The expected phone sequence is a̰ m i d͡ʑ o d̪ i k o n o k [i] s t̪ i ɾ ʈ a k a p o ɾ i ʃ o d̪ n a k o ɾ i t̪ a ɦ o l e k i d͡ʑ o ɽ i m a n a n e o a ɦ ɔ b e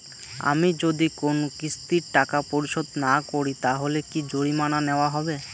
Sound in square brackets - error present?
no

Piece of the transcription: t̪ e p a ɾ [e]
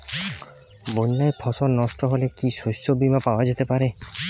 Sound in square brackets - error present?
no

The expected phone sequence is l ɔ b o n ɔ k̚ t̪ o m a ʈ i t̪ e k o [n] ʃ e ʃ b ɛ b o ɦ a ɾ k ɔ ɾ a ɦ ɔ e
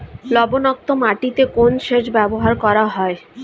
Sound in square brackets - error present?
no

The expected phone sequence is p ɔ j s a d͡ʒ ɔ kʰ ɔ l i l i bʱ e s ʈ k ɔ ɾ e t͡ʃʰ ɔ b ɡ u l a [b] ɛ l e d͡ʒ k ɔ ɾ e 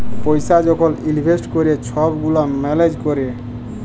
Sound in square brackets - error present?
yes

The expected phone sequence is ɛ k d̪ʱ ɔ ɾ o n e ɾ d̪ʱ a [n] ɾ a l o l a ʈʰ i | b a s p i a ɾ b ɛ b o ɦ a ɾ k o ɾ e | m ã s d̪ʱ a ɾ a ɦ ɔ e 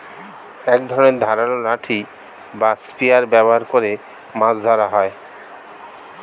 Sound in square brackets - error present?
yes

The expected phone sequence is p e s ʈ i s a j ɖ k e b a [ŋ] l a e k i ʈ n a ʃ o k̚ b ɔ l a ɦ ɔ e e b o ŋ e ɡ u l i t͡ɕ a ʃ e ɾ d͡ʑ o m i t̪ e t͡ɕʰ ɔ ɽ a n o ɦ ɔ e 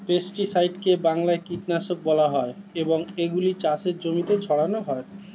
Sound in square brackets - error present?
no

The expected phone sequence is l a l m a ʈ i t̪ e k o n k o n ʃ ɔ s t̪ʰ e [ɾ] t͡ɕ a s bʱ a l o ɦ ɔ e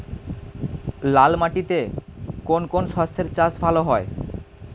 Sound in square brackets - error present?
no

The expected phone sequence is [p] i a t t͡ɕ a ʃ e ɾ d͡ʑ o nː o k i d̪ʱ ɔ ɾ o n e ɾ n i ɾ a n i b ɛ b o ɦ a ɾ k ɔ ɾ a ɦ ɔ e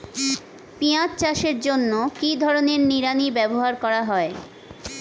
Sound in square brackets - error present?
no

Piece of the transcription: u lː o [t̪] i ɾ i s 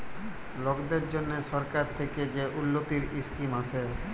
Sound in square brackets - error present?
no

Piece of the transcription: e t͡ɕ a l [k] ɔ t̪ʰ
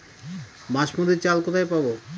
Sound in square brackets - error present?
no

